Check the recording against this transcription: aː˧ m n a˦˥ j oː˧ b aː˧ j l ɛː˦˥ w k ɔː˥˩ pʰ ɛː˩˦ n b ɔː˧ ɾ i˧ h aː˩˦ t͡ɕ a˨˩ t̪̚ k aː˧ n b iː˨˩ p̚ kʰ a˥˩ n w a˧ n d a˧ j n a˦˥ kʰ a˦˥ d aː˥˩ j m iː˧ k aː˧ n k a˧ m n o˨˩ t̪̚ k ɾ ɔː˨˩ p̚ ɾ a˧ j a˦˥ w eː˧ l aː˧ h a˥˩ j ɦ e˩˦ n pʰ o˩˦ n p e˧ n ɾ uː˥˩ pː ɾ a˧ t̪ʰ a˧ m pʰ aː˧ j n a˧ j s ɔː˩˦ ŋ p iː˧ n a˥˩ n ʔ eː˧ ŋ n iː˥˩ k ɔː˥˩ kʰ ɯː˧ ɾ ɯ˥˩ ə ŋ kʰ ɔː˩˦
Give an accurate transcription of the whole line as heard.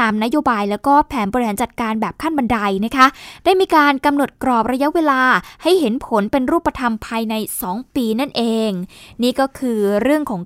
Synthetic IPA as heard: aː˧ m n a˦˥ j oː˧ b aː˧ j l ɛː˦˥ w k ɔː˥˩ pʰ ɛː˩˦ n b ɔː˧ ɾ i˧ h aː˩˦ t͡ɕ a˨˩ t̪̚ k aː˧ n b ɛː˨˩ p̚ kʰ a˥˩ n b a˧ n d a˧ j n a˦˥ kʰ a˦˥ d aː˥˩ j m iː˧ k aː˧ n k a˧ m n o˨˩ t̪̚ k ɾ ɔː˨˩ p̚ ɾ a˧ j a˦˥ w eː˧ l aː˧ h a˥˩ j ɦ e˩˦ n pʰ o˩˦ n p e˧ n ɾ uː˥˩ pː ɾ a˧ t̪ʰ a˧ m pʰ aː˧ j n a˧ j s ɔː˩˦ ŋ p iː˧ n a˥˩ n ʔ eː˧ ŋ n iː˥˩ k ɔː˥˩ kʰ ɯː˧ ɾ ɯ˥˩ ə ŋ kʰ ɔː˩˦